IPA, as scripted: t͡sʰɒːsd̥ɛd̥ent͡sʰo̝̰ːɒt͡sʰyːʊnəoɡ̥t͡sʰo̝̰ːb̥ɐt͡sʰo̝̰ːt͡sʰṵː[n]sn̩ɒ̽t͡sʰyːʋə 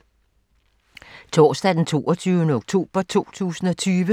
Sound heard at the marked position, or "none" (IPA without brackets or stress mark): none